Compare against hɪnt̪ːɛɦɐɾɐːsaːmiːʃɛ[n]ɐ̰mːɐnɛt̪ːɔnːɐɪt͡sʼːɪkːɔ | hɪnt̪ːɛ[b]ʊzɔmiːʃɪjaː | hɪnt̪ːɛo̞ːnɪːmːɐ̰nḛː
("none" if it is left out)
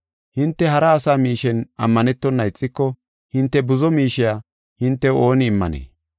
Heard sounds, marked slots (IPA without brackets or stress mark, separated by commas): n, b